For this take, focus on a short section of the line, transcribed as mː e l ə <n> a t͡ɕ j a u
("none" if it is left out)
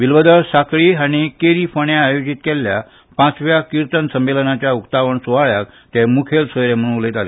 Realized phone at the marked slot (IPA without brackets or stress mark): n